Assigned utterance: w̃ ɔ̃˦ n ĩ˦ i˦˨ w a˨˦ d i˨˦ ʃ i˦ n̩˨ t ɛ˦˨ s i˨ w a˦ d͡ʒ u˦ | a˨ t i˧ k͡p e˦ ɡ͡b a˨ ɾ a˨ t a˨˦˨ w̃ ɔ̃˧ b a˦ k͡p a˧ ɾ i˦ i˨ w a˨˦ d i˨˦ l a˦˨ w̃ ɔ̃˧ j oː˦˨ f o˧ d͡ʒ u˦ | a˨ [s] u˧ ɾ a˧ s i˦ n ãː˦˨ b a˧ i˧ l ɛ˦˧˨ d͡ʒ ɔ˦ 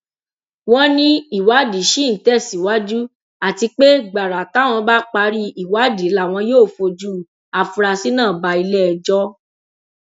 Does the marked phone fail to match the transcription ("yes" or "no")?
yes